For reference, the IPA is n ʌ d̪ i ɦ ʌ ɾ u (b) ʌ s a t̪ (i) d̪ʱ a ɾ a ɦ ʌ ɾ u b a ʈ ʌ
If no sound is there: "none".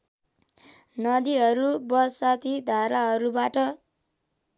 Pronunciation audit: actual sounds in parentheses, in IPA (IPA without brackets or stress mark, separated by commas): b, i